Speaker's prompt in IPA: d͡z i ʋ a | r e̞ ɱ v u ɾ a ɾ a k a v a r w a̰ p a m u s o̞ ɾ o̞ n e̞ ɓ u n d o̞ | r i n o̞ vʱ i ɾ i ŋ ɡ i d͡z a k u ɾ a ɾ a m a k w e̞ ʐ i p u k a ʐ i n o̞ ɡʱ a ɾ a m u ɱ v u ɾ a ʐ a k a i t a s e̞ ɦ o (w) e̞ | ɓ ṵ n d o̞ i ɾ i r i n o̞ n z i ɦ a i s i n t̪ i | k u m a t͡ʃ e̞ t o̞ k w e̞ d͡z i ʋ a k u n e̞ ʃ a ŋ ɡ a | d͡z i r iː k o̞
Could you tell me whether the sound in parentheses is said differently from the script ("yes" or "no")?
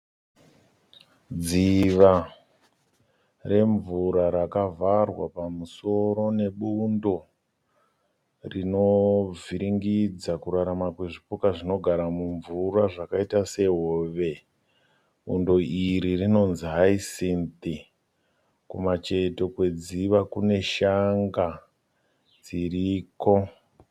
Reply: yes